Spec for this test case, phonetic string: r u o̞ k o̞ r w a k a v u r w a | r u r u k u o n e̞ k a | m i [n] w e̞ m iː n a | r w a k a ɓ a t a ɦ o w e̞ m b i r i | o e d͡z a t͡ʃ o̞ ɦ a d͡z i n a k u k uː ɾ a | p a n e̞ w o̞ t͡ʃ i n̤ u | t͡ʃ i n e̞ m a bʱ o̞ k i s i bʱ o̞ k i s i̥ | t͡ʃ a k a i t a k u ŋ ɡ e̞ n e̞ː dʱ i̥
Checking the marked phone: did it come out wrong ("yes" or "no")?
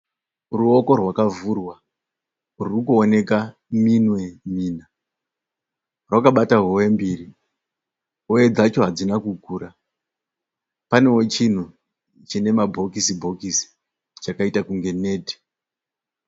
no